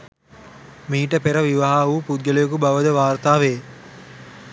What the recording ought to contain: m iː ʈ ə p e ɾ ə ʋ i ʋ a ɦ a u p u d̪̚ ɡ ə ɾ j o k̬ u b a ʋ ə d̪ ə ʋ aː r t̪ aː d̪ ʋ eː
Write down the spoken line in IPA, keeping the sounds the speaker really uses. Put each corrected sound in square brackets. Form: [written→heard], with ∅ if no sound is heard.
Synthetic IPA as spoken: m iː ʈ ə p e ɾ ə ʋ i ʋ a ɦ a u p u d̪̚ ɡ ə [ɾ→l] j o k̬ u b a ʋ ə d̪ ə ʋ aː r t̪ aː [d̪→∅] ʋ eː